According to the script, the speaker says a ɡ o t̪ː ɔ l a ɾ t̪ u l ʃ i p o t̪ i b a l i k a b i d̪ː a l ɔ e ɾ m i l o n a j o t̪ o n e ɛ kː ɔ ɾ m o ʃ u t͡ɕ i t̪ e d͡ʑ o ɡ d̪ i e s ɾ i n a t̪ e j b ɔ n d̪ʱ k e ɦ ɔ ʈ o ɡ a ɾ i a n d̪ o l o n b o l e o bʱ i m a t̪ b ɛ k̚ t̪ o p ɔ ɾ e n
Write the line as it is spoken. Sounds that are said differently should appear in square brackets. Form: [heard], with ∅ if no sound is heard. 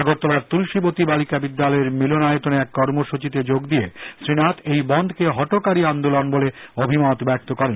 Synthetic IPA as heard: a ɡ o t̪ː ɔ l a ɾ t̪ u l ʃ i [b] o t̪ i b a l i k a b i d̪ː a l ɔ e ɾ m i l o n a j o t̪ o n e ɛ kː ɔ ɾ m o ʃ u t͡ɕ i t̪ e d͡ʑ o ɡ d̪ i e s ɾ i n a t̪ e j b ɔ n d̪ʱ k e ɦ ɔ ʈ o [k] a ɾ i a n d̪ o l o n b o l e o bʱ i m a t̪ b ɛ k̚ t̪ o [k] ɔ ɾ e n